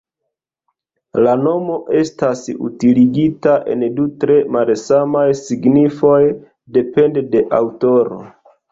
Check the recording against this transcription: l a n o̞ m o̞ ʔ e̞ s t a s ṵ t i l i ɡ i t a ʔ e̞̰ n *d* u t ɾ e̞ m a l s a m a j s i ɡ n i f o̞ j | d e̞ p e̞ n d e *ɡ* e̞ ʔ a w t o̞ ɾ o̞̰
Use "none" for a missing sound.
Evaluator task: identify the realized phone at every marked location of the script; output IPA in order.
d, d

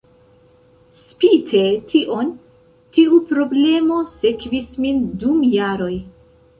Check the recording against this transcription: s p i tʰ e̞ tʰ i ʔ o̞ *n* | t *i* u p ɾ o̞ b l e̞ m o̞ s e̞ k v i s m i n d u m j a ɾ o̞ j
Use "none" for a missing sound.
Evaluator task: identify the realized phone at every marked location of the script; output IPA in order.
n, i

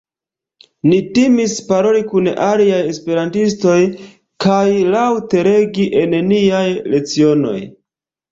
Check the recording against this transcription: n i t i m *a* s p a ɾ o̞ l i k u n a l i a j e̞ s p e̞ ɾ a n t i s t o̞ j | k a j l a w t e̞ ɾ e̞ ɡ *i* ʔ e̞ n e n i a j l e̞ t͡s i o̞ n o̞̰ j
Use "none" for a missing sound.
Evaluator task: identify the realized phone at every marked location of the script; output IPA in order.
i, i

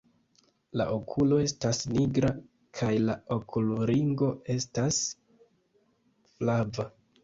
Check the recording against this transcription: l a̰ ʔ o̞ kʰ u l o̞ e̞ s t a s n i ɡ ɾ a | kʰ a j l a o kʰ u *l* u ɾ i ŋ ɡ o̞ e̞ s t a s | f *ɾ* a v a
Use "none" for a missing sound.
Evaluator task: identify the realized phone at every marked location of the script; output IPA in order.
l, l

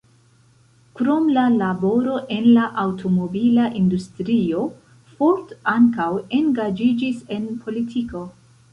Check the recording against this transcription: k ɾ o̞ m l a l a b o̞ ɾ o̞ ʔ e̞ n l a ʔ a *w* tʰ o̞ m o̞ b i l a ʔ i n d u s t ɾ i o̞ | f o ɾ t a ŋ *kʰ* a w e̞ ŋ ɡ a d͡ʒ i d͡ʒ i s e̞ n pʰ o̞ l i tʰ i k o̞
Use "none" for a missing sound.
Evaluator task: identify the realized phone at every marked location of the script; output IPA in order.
w, k

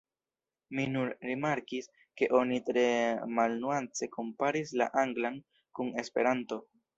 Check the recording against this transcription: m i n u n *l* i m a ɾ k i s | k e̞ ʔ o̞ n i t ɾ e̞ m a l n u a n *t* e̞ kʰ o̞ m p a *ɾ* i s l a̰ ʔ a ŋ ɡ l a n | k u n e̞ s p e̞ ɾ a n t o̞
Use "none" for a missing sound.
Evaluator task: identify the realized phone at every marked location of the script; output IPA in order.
ɾ, t͡s, ɾ

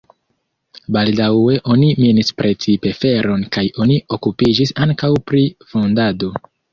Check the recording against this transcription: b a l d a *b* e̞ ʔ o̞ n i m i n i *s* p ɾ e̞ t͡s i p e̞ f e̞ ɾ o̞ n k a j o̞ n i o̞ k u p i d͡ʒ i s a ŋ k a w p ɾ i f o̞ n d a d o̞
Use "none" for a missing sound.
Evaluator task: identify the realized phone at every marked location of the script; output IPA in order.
w, s

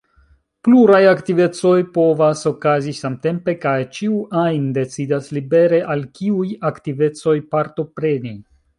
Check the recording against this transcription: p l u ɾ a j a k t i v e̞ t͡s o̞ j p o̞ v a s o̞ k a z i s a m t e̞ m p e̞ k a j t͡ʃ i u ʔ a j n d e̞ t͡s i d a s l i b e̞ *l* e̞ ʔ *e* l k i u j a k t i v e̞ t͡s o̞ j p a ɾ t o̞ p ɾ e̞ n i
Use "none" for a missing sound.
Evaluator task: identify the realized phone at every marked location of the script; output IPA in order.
ɾ, a

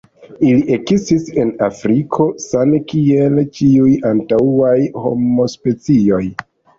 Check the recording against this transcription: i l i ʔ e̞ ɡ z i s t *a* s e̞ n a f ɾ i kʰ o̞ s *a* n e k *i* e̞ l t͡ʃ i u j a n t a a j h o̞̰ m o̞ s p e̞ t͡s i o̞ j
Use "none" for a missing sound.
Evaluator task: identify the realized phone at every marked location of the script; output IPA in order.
i, a, i

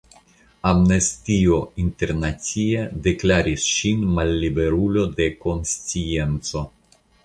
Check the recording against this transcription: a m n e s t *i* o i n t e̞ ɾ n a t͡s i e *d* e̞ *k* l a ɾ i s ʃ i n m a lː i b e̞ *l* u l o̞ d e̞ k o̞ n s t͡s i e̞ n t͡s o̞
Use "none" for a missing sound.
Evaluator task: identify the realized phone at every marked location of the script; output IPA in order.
i, d, k, ɾ

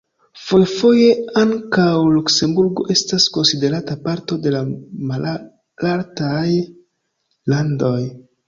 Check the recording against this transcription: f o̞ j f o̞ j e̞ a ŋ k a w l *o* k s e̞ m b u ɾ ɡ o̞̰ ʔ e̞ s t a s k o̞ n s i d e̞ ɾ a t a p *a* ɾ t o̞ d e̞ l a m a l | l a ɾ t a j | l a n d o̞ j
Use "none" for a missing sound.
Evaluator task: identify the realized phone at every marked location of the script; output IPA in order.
u, a

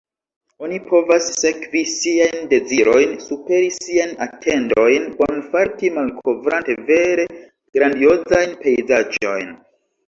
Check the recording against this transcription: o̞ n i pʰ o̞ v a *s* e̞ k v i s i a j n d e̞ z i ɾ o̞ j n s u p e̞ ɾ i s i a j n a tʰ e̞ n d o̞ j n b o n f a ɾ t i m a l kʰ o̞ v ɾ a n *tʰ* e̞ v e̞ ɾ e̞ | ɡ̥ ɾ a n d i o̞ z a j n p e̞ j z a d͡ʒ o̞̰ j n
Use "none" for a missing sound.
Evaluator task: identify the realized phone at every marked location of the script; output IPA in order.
sː, t

